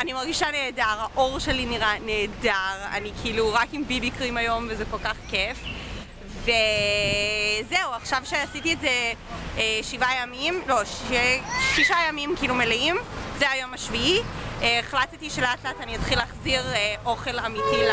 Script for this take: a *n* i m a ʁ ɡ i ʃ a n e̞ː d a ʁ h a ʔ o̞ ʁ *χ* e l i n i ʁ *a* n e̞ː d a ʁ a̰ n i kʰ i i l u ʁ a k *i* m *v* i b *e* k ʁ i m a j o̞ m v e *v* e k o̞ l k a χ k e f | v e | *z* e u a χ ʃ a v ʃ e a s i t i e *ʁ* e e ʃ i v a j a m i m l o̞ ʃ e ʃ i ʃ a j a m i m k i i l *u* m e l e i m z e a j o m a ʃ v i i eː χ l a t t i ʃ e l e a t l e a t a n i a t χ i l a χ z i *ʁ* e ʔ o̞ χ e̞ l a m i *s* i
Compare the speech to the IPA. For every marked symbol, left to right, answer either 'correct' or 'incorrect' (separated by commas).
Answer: correct, incorrect, correct, correct, incorrect, incorrect, incorrect, correct, incorrect, correct, correct, incorrect